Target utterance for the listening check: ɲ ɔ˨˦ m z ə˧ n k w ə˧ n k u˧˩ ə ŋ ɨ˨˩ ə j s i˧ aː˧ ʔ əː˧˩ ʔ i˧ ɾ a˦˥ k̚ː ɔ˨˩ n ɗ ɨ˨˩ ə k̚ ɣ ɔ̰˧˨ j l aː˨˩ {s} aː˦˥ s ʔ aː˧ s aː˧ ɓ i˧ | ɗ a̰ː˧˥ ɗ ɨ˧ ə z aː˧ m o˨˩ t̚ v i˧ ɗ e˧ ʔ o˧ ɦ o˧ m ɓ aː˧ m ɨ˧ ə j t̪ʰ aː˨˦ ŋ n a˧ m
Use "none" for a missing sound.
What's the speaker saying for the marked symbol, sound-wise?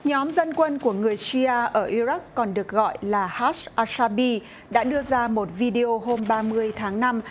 h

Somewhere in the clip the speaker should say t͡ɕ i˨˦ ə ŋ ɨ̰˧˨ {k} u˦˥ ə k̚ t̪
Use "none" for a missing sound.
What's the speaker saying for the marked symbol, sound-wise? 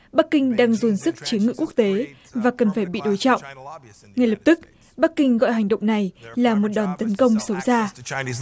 k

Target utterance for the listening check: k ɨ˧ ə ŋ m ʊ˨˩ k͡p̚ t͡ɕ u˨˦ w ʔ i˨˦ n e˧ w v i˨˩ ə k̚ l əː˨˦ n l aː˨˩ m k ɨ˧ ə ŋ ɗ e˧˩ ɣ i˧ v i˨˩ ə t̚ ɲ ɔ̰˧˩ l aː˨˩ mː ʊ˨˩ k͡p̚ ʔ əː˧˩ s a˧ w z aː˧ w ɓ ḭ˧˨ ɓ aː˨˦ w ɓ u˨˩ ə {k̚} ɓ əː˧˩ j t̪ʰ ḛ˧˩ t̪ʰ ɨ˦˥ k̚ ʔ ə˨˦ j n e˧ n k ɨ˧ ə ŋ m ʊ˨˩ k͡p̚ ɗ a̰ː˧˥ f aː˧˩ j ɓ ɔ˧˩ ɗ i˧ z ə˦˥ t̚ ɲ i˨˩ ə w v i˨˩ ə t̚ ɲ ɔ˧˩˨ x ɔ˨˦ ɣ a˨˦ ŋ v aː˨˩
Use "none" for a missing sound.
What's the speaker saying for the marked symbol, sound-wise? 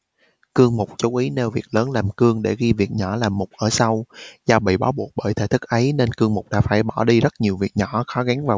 k̚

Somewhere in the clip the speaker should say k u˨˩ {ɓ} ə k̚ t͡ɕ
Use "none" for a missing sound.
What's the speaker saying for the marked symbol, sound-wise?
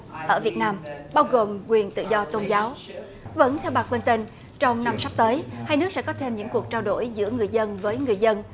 none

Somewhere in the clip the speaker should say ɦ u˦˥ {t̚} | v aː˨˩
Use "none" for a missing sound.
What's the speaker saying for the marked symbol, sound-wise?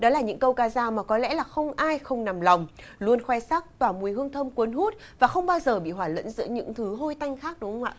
t̚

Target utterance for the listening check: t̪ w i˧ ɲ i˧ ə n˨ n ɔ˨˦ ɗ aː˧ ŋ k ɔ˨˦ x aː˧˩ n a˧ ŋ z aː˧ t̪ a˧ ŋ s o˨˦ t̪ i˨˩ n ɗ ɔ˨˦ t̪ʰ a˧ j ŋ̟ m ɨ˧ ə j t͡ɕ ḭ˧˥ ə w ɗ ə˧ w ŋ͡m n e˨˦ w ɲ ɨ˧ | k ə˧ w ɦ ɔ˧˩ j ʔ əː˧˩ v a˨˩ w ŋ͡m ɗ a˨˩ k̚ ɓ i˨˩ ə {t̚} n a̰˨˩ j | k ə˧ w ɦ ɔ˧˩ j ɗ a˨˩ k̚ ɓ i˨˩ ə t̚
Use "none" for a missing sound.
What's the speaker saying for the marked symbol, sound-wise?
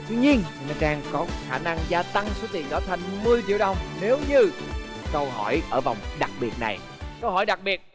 t̚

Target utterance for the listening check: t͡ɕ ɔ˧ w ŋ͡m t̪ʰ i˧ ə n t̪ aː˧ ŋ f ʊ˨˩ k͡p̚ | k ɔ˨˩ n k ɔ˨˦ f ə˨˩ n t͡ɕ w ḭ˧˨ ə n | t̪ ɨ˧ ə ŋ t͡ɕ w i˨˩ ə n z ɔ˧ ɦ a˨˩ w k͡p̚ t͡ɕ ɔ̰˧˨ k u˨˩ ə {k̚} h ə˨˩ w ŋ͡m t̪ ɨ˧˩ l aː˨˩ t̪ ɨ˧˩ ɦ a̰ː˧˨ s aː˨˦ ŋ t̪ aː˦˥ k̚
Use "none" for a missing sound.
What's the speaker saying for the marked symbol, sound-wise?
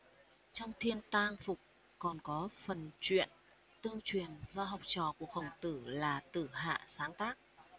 k̚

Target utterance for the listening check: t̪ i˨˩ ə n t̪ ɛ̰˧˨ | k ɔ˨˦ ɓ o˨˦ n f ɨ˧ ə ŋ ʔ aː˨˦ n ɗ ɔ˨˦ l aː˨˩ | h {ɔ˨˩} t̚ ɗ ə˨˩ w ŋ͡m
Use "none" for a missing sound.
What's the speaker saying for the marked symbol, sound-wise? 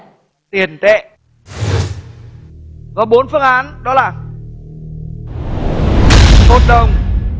o˨˩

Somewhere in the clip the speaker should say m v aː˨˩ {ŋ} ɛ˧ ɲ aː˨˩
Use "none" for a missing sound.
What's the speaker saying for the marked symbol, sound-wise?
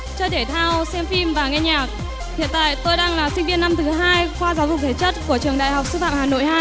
ŋ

